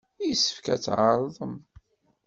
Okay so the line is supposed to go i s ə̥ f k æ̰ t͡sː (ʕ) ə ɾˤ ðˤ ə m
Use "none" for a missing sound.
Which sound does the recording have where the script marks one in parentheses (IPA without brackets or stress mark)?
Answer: ʕ